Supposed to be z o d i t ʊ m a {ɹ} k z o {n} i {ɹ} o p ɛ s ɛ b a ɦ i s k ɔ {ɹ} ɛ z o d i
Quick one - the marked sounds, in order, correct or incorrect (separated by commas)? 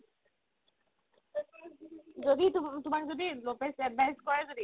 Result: incorrect, incorrect, incorrect, correct